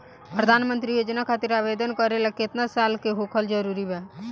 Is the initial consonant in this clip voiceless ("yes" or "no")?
yes